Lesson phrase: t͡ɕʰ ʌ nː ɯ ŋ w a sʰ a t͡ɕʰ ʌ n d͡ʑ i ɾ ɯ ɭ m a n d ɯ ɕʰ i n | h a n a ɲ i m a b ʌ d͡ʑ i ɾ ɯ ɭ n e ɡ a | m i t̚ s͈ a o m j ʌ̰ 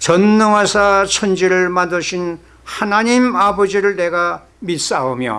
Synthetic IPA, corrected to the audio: t͡ɕ ʌ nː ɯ ŋ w a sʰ a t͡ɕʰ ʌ n d͡ʑ i ɾ ɯ ɭ m a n d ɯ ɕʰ i n | h a n a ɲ i m a b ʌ d͡ʑ i ɾ ɯ ɭ n e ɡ a | m i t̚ s͈ a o m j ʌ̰